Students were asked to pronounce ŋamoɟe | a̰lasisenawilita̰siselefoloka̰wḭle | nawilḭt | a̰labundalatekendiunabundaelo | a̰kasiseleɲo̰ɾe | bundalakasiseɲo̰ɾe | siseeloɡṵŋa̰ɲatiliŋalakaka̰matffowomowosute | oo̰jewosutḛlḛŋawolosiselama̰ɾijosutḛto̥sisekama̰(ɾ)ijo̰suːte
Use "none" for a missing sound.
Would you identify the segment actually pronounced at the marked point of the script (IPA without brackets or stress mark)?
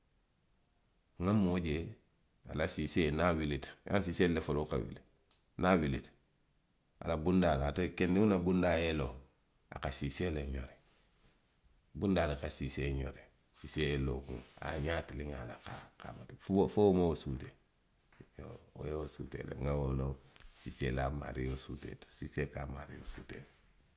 ɾ